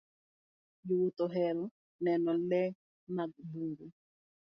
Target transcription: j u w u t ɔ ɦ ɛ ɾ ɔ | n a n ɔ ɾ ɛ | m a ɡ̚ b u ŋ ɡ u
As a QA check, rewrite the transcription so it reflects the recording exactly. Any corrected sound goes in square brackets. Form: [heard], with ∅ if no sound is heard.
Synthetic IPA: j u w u t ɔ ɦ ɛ ɾ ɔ | n [ɛ] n ɔ [l] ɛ | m a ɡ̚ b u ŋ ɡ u